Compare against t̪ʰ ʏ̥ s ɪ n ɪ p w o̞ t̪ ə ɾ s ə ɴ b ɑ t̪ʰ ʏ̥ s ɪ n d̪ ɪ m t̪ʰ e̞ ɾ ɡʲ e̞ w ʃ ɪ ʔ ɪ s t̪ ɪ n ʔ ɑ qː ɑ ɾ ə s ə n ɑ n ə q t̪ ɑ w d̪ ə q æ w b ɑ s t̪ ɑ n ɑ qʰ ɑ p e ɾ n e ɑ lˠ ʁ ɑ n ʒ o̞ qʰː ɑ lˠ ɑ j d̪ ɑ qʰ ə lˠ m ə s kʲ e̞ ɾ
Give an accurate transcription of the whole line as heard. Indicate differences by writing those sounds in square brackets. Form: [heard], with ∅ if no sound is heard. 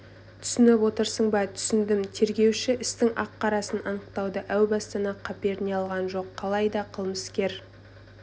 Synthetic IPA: t̪ʰ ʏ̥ s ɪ n ɪ p w o̞ t̪ ə ɾ s ə ɴ b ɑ t̪ʰ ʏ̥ s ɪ n d̪ ɪ m t̪ʰ e̞ ɾ ɡʲ e̞ w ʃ ɪ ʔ ɪ s t̪ ɪ [ŋ] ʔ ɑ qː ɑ ɾ [ɑ] s ə n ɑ n ə q t̪ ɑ w d̪ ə [ʔ] æ w b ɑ s t̪ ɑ n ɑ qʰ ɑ p e ɾ n e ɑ lˠ ʁ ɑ n ʒ o̞ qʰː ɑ lˠ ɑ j d̪ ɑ qʰ ə lˠ m ə s kʲ e̞ ɾ